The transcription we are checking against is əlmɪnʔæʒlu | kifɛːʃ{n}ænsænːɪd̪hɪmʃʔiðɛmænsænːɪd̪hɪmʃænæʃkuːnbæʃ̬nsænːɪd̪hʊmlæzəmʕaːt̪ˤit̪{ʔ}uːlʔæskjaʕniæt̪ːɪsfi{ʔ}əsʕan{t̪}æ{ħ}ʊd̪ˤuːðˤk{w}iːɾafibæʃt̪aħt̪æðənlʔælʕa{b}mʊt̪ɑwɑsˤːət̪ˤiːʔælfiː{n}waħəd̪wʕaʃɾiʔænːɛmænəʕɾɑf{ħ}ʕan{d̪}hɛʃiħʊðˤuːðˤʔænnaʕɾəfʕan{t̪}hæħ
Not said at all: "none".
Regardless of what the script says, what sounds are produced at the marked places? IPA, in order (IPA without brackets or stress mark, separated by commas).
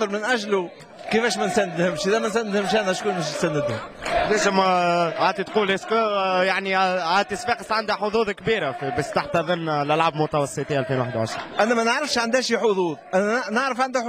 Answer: m, q, q, d̪, ħ, b, b, n, ʃ, d̪, d̪